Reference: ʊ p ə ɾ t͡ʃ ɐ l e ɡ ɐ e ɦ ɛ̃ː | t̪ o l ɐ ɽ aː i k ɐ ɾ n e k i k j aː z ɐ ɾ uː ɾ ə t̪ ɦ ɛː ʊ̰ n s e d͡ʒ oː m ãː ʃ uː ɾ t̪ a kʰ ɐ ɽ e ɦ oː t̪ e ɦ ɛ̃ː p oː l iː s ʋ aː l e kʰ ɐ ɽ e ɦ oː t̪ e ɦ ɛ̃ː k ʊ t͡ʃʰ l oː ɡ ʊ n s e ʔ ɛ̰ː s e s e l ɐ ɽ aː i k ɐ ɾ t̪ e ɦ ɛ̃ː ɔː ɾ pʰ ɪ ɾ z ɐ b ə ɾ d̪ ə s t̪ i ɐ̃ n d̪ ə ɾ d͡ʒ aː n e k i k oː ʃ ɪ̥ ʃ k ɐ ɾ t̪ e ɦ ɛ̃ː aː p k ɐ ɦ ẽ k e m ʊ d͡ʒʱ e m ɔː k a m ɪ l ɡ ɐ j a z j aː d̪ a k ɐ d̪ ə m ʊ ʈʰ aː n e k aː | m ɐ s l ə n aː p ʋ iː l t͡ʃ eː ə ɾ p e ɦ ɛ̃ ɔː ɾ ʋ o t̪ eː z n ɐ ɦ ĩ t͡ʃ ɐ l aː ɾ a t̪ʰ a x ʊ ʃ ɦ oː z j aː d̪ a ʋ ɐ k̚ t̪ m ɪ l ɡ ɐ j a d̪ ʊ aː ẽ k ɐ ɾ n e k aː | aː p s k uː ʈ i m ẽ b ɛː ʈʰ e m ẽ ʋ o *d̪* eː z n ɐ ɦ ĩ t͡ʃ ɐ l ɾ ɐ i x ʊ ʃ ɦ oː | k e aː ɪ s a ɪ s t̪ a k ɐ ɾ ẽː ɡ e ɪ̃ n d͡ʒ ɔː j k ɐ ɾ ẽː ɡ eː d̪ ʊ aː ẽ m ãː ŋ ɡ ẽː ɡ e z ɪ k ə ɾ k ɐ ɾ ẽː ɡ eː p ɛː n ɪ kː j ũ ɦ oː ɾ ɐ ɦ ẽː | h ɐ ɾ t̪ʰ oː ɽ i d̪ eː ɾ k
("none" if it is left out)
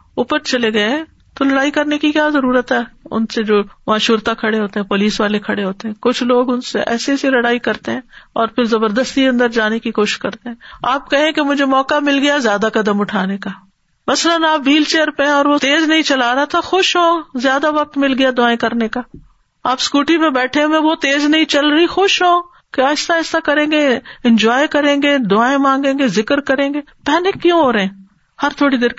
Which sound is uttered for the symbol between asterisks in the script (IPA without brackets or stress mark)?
t̪